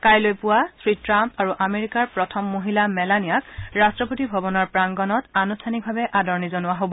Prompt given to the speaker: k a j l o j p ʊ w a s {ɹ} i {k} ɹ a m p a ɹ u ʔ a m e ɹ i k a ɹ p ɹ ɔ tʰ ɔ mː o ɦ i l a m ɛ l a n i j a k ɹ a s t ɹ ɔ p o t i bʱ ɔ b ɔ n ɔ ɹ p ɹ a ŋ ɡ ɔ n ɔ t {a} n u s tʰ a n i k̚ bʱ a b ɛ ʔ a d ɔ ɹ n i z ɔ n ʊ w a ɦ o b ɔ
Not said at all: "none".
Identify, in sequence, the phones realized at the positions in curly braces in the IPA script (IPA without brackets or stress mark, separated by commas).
ɹ, t, a